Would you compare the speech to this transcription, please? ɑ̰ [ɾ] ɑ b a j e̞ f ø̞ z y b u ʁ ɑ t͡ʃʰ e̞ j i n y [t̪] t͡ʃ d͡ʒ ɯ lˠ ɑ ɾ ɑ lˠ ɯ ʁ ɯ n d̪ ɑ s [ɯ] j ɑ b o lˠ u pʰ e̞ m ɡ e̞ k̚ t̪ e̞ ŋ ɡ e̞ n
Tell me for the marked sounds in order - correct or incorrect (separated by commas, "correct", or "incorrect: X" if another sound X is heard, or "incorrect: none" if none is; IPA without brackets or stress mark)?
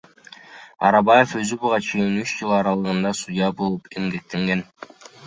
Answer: correct, incorrect: none, incorrect: u